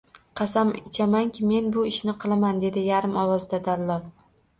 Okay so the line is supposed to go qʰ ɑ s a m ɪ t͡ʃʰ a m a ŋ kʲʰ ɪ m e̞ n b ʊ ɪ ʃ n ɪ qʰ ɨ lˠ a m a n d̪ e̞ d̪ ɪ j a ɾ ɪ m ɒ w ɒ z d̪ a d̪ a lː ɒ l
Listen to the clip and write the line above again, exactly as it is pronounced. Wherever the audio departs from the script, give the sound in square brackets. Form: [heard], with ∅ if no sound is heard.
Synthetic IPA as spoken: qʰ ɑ s a m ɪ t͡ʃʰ a m a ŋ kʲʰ ɪ m e̞ n b ʊ ɪ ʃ n ɪ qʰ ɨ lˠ a m a n d̪ e̞ d̪ ɪ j a ɾ ɪ m ɒ w ɒ z d̪ a d̪ a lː ɒ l